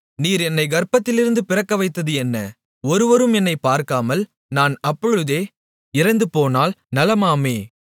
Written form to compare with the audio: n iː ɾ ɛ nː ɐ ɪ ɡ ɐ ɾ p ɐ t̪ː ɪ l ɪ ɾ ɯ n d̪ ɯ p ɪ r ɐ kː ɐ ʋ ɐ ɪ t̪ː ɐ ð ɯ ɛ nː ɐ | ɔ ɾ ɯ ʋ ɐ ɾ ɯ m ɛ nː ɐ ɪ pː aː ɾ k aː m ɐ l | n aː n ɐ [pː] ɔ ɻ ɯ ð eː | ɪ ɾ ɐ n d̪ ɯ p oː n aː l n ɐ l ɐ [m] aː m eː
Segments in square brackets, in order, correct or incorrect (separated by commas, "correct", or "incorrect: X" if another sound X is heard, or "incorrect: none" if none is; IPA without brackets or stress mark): correct, correct